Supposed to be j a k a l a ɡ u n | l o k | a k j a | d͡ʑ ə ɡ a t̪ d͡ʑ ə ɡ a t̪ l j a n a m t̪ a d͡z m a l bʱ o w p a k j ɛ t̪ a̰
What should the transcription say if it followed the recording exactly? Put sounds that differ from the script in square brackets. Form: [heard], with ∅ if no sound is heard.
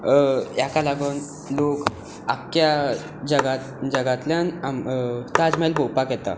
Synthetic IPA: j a k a l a ɡ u n | l o k | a k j a | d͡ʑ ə ɡ a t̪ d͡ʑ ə ɡ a t̪ l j a n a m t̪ a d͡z m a l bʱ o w p a k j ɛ t̪ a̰